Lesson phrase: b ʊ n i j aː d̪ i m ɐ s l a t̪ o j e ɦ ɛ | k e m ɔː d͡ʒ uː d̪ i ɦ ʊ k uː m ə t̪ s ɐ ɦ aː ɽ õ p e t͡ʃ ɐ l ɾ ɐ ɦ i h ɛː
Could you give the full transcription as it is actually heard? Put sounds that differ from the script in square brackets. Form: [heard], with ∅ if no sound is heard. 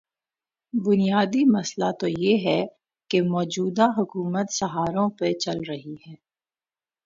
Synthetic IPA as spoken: b ʊ n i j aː d̪ i m ɐ s l a t̪ o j e ɦ ɛ | k e m ɔː d͡ʒ uː d̪ [a] ɦ ʊ k uː m ə t̪ s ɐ ɦ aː [ɾ] õ p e t͡ʃ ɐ l ɾ ɐ ɦ i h ɛː